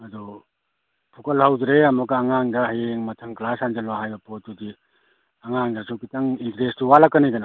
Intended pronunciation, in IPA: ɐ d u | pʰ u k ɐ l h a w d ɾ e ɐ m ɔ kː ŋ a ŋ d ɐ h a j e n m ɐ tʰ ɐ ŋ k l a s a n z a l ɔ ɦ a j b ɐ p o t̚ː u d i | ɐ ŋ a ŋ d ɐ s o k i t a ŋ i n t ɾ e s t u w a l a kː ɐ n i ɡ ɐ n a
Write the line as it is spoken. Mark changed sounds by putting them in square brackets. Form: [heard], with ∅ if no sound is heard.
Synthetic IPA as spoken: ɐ d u | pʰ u k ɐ l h a w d ɾ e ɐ m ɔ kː ŋ a ŋ d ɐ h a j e [ŋ] m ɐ tʰ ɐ ŋ k l a s a n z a l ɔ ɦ a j b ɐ p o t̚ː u d i | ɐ ŋ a ŋ d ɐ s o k i t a ŋ i n t ɾ e s t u w a l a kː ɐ n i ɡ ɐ n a

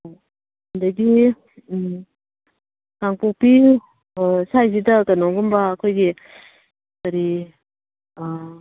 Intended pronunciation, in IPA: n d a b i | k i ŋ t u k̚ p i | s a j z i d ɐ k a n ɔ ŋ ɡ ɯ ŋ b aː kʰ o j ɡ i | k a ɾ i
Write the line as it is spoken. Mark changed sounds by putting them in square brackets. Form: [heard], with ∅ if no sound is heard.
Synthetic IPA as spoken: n d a [ɡ] i | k [a] ŋ [p] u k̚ p i | s a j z i d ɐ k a n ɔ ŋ ɡ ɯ [m] b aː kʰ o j ɡ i | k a ɾ i

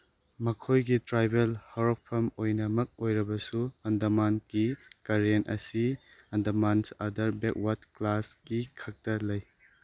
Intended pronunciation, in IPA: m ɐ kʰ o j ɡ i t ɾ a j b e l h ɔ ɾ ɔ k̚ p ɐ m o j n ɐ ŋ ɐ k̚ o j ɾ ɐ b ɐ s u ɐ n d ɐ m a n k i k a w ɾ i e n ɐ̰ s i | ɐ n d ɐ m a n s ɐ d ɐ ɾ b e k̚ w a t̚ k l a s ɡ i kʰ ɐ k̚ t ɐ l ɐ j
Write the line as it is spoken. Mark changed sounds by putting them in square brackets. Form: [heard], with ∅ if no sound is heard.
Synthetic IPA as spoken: m ɐ kʰ o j ɡ i t ɾ a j b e l h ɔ ɾ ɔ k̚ [pʰ] ɐ m o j n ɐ [m] ɐ k̚ o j ɾ ɐ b ɐ s u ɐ n d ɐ m a n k i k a [∅] ɾ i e n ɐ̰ s i | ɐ n d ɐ m a n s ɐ d ɐ ɾ b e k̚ w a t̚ k l a s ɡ i kʰ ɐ k̚ t ɐ l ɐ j

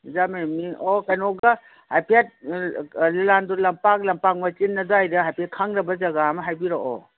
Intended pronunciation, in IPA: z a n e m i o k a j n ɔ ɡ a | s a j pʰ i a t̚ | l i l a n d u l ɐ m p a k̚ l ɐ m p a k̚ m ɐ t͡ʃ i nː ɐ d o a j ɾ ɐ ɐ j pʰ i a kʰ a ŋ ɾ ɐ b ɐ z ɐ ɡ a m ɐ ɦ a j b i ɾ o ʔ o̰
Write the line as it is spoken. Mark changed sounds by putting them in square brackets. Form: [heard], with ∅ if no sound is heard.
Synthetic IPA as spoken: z a [m] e m i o k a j n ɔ ɡ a | [h] a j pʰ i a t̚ | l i l a n d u l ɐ m p a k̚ l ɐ m p a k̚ m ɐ t͡ʃ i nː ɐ d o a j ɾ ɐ [a] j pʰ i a kʰ a ŋ ɾ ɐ b ɐ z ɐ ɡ a m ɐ ɦ a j b i ɾ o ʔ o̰

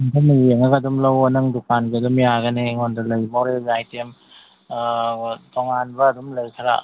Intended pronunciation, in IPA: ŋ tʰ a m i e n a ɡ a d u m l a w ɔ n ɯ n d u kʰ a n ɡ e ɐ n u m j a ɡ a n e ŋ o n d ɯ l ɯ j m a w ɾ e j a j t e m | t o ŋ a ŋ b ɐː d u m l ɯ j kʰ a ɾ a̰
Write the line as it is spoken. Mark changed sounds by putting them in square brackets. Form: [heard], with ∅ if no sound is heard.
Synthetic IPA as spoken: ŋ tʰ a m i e [ŋ] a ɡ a d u m l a w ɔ n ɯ [ŋ] d u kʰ a n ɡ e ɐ [d] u m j a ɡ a n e ŋ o n d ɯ l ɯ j m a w ɾ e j a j t e m | t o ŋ a [n] b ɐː d u m l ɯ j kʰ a ɾ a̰

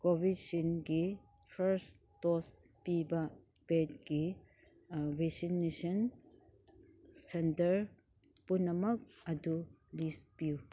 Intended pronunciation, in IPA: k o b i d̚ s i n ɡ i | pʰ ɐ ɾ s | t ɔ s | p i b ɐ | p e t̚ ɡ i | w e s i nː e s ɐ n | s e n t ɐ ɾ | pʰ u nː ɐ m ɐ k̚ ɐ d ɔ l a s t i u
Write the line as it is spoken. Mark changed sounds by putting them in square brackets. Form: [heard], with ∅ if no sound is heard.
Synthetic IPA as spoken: k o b i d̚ s i n ɡ i | pʰ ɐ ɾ s | t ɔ s | p i b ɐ | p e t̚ ɡ i | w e s i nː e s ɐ n | s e n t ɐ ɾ | [p] u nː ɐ m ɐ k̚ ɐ d [u] l [i] s [p] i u

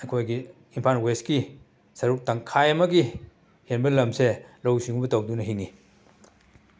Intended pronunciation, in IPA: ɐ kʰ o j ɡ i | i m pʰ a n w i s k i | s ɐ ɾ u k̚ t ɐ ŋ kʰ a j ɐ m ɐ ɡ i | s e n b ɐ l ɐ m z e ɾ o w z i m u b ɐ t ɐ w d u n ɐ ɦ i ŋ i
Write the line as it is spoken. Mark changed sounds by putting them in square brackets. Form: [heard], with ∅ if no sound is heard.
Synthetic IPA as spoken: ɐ kʰ o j ɡ i | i m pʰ a n w [e] s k i | s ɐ ɾ u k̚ t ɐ ŋ kʰ a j ɐ m ɐ ɡ i | [h] e n b ɐ l ɐ m [s] e [l] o w [s] i [ŋ] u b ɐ t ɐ w d u n ɐ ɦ i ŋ i

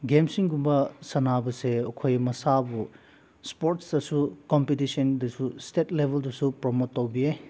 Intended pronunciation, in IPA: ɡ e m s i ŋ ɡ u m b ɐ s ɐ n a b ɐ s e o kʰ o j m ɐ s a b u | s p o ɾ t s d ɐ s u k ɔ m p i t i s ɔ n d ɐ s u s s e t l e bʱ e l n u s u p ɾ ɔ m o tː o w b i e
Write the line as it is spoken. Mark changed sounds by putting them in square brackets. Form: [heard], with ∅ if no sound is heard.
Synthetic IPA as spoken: ɡ e m s i ŋ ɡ u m b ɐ s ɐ n a b ɐ s e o kʰ o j m ɐ s a b u | s p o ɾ t s d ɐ s u k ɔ m p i t i s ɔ n d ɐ s u s [t] e t l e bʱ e l [d] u s u p ɾ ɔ m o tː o w b i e

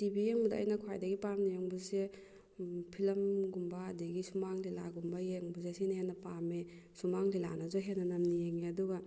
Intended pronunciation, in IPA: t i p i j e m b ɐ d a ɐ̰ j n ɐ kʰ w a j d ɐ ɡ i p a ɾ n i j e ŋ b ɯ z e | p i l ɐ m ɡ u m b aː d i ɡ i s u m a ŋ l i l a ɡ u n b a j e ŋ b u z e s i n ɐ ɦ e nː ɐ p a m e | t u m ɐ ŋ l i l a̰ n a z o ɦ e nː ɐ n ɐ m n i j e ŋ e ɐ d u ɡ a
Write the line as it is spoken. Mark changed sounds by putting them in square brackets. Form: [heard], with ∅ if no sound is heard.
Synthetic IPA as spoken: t i [b] i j e [ŋ] b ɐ d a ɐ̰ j n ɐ kʰ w a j d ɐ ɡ i p a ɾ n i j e ŋ b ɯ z e | [pʰ] i l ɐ m ɡ u m b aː d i ɡ i s u m a ŋ l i l a ɡ u [m] b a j e ŋ b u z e s i n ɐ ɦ e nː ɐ p a m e | [s] u m [a] ŋ l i l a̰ n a z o ɦ e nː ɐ n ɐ m n i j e ŋ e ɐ d u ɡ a

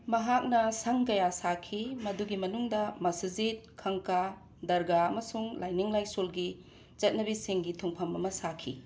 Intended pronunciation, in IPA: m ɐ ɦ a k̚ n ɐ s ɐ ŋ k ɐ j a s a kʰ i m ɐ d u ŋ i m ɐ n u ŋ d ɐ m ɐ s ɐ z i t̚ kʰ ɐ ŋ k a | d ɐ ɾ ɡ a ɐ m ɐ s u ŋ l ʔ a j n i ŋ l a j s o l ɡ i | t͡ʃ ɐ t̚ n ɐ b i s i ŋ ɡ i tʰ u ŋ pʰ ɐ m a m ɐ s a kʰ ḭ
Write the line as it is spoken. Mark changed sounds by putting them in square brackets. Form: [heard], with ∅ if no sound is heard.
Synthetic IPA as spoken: m ɐ ɦ a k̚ n ɐ s ɐ ŋ k ɐ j a s a kʰ i m ɐ d u [ɡ] i m ɐ n u ŋ d ɐ m ɐ s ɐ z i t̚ kʰ ɐ ŋ k a | d ɐ ɾ ɡ a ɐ m ɐ s u ŋ l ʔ a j n i ŋ l a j s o l ɡ i | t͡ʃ ɐ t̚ n ɐ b i s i ŋ ɡ i tʰ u ŋ pʰ ɐ m [ɐ] m ɐ s a kʰ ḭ

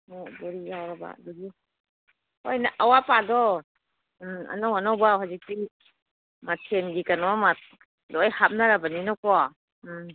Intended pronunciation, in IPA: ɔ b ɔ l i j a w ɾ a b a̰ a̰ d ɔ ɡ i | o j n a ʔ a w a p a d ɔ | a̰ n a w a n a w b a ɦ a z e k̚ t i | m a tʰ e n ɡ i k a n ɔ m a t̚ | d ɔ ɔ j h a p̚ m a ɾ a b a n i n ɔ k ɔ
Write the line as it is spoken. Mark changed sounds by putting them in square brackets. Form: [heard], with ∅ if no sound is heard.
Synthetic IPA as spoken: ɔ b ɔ [ɾ] i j a w ɾ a b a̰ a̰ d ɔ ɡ i | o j n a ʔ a w a p a d ɔ | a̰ n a w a n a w b a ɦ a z [i] k̚ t i | m a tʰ e n ɡ i k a n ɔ m a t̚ | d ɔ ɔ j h a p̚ [n] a ɾ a b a n i n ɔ k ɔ

